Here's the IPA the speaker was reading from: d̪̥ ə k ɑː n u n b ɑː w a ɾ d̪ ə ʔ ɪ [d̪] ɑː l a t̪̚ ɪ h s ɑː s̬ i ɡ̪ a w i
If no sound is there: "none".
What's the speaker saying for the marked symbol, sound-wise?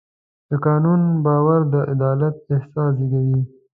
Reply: d̪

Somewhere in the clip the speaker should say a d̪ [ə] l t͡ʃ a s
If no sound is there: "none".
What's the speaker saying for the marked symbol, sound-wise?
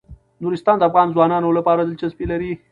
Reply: ə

